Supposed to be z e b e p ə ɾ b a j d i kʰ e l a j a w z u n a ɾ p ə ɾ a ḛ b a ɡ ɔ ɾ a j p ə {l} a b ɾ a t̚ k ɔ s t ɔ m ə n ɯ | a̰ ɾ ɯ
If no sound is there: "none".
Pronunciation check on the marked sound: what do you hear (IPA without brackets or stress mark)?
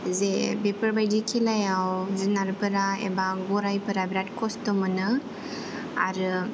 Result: ɾ